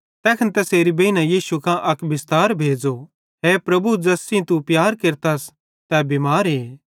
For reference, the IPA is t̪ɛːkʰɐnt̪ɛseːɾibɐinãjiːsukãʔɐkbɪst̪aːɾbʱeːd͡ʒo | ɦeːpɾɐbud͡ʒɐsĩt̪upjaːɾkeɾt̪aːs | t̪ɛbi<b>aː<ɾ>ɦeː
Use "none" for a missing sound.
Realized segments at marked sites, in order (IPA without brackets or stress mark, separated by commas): m, ɾ